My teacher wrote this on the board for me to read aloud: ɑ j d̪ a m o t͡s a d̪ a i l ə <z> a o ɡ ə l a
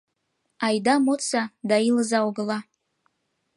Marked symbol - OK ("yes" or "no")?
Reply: yes